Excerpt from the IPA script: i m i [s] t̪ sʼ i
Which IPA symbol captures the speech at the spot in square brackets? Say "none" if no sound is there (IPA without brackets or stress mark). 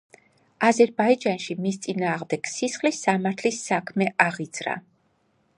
s